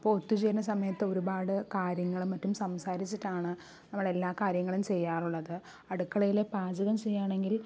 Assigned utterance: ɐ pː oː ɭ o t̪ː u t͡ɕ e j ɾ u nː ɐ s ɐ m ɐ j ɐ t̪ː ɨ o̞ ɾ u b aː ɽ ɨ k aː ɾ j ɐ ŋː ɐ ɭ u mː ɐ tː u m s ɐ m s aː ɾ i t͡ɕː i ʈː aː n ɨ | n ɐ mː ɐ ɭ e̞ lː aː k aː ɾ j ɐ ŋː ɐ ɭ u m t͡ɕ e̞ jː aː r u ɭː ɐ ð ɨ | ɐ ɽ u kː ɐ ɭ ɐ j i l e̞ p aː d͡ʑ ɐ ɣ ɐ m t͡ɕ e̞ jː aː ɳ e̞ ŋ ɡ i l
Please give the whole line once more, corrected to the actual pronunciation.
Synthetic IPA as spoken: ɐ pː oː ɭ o t̪ː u t͡ɕ e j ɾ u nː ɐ s ɐ m ɐ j ɐ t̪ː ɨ o̞ ɾ u b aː ɽ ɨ k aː ɾ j ɐ ŋː ɐ ɭ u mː ɐ tː u m s ɐ m s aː ɾ i t͡ɕː i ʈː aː ɳ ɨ | n ɐ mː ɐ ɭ e̞ lː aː k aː ɾ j ɐ ŋː ɐ ɭ u m t͡ɕ e̞ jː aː r u ɭː ɐ ð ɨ | ɐ ɽ u kː ɐ ɭ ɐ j i l e̞ p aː d͡ʑ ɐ ɣ ɐ m t͡ɕ e̞ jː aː ɳ e̞ ŋ ɡ i l